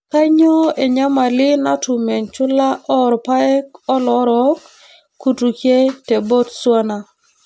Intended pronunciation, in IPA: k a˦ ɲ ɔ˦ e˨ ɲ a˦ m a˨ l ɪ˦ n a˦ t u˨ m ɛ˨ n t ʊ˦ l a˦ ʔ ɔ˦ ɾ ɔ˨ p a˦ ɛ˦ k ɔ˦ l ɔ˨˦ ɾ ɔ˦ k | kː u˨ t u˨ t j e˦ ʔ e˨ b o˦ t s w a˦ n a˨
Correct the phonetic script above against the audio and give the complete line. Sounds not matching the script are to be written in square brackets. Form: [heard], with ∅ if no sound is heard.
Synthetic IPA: k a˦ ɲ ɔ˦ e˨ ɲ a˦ m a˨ l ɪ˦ n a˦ t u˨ m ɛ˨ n [t͡ʃ] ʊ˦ l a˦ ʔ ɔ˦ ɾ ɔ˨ p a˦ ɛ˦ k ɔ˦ l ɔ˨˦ ɾ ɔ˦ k | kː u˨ t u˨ [k] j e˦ [t] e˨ b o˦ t s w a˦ n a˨